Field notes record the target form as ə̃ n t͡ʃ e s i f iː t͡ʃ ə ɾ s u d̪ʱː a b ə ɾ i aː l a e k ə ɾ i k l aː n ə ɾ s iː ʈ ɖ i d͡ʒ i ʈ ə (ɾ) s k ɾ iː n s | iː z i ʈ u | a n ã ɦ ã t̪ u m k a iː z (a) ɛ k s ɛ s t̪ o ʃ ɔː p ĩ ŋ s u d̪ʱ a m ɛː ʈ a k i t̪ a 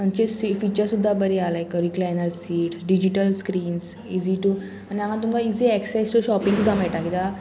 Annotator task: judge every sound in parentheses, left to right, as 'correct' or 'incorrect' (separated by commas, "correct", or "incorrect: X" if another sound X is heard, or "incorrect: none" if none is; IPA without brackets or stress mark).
incorrect: l, incorrect: i